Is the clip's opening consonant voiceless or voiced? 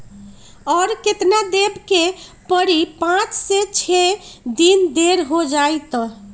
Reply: voiced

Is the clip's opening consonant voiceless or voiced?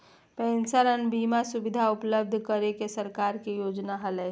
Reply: voiceless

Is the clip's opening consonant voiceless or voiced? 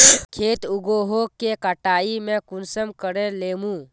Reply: voiceless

